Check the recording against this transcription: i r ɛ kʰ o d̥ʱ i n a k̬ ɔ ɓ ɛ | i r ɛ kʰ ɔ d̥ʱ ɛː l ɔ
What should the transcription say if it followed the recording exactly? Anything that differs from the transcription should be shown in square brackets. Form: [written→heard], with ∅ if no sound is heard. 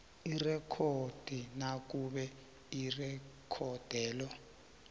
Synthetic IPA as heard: i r ɛ kʰ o d̥ʱ i n a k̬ [ɔ→u] ɓ ɛ | i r ɛ kʰ ɔ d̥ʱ ɛː l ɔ